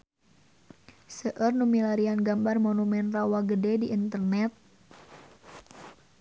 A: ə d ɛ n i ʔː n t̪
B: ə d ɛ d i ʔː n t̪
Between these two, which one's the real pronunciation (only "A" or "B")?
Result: B